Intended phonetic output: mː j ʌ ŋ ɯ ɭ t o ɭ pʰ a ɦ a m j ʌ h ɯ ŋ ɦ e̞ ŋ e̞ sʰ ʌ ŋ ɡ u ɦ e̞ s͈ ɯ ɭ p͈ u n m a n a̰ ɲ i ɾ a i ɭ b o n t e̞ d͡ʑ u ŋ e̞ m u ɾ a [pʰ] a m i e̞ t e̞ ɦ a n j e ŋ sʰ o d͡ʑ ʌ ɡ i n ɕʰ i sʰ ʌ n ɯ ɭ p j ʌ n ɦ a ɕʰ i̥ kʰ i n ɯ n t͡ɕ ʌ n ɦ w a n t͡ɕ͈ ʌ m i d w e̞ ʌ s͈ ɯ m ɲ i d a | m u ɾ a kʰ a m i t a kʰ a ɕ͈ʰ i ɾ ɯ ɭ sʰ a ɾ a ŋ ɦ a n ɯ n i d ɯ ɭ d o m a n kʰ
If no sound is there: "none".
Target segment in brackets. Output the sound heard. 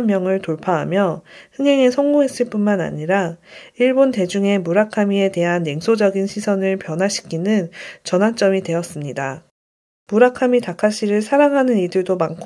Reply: kʰ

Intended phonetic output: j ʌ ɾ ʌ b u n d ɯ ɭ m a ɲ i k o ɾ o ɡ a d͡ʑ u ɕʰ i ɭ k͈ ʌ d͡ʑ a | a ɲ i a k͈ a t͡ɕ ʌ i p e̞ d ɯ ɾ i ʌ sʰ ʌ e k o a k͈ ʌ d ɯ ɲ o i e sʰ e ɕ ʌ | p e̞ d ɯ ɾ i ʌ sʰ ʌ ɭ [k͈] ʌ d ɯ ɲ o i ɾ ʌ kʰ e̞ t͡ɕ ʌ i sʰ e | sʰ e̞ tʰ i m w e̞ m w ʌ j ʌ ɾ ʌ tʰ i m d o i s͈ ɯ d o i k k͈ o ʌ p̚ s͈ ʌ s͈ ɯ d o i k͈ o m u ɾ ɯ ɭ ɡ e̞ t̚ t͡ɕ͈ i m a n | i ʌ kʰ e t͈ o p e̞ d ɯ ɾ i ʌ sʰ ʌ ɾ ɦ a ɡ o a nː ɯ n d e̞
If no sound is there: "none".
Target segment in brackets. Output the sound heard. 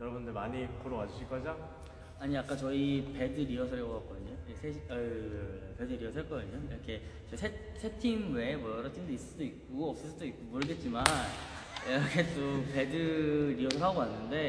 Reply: k͈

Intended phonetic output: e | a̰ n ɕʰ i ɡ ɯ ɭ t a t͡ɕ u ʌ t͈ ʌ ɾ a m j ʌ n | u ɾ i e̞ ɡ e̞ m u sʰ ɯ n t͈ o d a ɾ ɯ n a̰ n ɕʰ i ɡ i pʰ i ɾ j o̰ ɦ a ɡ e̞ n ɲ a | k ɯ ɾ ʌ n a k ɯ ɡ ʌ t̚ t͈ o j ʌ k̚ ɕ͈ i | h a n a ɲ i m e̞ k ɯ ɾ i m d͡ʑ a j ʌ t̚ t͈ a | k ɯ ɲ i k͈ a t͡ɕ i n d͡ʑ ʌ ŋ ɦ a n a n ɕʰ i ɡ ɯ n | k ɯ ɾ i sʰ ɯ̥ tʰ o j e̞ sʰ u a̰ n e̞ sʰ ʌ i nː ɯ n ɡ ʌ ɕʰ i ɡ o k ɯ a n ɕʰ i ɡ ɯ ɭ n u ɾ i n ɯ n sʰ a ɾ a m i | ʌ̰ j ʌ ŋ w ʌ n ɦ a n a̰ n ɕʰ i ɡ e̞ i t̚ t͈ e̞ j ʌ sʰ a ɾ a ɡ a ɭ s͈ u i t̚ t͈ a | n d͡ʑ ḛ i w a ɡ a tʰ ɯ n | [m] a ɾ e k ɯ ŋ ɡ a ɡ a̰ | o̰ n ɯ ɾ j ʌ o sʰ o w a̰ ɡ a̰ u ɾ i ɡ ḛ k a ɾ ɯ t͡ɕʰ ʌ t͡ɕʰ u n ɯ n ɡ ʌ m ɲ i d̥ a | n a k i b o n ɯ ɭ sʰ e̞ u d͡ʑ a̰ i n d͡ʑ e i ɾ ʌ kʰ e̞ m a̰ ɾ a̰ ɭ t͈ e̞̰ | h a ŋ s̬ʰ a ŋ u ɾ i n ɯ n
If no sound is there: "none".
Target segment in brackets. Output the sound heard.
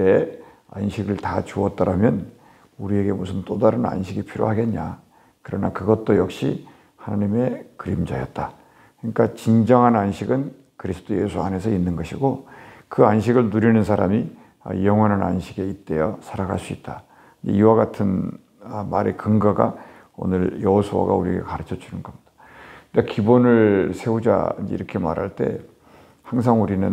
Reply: m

